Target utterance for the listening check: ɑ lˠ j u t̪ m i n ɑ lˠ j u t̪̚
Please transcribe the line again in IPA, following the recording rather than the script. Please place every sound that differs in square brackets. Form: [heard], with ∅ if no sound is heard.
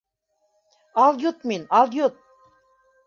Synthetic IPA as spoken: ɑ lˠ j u t̪ m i n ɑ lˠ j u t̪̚